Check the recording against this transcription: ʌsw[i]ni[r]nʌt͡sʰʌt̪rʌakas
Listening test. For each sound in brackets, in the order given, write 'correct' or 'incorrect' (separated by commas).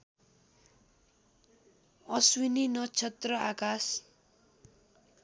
correct, incorrect